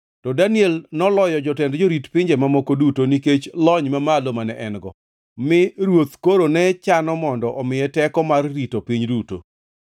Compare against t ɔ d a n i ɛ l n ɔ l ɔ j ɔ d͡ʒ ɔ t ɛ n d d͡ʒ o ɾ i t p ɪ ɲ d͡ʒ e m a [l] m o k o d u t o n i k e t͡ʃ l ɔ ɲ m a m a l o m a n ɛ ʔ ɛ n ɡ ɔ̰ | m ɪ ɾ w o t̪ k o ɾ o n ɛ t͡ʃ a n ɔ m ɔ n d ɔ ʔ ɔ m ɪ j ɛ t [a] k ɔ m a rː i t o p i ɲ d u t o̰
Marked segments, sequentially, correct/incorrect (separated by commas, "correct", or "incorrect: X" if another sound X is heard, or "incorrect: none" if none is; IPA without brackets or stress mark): incorrect: none, incorrect: ɛ